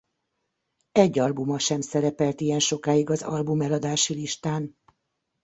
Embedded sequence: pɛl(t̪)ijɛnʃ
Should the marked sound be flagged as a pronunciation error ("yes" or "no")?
no